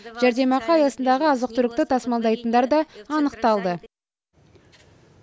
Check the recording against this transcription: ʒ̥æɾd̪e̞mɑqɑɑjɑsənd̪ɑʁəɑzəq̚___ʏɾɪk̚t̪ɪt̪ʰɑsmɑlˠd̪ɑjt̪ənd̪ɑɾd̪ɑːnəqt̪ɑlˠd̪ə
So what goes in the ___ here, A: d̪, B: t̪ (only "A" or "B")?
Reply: B